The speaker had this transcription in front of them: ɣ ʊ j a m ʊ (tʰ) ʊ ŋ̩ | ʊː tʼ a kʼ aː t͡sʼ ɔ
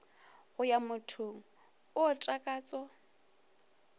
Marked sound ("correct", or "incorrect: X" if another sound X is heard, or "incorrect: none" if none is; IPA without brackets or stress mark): correct